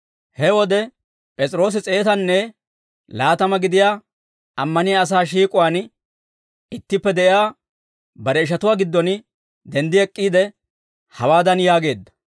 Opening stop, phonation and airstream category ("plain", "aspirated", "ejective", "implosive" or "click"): plain